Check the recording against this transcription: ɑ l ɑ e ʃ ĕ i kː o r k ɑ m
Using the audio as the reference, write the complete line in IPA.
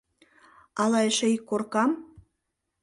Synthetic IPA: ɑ l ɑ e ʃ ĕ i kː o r k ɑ m